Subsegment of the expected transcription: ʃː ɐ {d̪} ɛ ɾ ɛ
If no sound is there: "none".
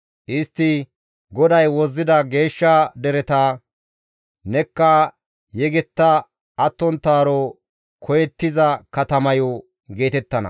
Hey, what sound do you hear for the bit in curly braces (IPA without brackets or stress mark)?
d̪